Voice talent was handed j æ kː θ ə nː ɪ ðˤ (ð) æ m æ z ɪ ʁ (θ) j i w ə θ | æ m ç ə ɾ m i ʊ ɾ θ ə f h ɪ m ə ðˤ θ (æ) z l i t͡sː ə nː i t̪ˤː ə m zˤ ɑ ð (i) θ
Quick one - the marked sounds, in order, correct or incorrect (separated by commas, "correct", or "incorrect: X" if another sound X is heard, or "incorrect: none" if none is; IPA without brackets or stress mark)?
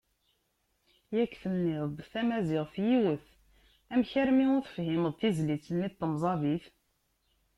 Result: incorrect: θ, incorrect: f, incorrect: i, correct